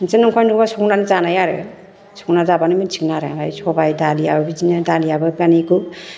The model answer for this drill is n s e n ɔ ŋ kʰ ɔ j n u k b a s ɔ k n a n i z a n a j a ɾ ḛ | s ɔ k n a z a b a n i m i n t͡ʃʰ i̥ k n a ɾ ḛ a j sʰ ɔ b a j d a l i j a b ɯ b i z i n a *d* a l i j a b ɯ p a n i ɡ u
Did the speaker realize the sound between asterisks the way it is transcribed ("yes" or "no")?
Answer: yes